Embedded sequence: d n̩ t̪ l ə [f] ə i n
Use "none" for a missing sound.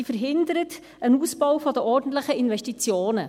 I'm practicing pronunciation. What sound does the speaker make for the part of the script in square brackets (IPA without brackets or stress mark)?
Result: χ